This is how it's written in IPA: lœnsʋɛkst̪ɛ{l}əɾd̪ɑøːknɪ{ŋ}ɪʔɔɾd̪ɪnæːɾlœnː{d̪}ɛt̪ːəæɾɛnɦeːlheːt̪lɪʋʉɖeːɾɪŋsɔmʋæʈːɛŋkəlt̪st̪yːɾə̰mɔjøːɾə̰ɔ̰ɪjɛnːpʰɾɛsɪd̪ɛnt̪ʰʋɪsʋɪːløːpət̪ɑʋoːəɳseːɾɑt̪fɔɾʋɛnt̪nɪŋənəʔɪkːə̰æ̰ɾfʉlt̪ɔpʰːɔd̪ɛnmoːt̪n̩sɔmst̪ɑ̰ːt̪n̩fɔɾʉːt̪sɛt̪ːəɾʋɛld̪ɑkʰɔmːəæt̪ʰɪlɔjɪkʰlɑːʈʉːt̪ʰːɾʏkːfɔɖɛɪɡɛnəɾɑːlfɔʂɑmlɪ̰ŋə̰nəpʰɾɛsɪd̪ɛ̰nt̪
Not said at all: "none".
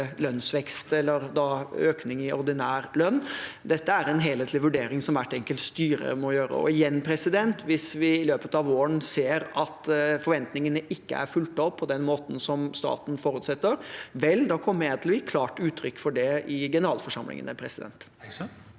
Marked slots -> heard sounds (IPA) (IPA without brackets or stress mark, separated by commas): lː, ŋ, d̪